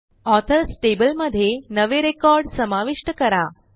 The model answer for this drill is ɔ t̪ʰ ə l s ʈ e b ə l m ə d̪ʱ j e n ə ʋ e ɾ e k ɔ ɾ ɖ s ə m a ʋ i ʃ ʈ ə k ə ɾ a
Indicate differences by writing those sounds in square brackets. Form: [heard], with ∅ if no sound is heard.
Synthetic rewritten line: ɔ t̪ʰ ə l s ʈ e b ə l m ə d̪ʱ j e n ə ʋ e ɾ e k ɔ ɾ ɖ s ə m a ʋ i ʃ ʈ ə k ə ɾ a